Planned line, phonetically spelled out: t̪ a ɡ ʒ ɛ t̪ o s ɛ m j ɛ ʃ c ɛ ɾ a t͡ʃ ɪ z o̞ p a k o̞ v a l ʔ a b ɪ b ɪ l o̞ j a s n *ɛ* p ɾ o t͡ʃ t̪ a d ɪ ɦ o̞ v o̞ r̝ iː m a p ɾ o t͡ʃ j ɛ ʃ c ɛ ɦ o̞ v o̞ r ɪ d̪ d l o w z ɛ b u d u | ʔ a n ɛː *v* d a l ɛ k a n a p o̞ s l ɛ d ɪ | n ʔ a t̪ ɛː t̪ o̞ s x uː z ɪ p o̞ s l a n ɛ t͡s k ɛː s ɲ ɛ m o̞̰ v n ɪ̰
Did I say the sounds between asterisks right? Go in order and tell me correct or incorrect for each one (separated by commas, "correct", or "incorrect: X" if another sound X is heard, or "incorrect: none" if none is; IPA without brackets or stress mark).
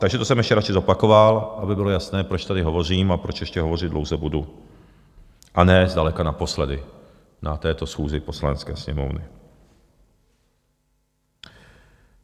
incorrect: ɛː, incorrect: z